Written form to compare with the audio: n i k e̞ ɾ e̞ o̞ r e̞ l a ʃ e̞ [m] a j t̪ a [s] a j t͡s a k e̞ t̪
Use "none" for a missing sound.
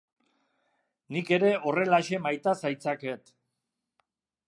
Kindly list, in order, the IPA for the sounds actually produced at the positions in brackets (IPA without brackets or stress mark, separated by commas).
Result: m, s